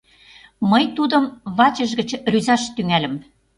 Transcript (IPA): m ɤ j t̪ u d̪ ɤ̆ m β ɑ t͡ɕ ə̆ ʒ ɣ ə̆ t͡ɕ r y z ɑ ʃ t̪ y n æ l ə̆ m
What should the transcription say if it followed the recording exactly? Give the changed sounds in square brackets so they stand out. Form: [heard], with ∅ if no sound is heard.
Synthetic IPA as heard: m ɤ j t̪ u d̪ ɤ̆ m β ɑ t͡ɕ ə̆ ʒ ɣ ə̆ t͡ɕ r y z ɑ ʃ t̪ y [ŋ] æ l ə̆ m